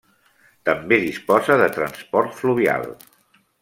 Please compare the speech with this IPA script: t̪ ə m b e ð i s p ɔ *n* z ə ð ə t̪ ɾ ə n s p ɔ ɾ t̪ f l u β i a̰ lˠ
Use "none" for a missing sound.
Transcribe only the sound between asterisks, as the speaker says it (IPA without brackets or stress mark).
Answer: none